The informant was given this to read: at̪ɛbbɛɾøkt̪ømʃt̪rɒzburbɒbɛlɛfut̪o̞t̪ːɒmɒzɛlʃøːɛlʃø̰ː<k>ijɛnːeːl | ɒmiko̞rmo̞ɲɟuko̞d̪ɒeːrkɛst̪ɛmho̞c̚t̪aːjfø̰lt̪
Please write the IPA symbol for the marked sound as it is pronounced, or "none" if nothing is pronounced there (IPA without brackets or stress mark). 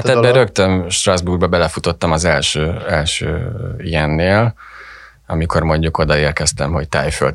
none